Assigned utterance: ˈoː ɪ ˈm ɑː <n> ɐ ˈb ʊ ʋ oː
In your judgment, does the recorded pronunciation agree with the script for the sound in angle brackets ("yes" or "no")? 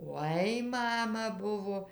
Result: no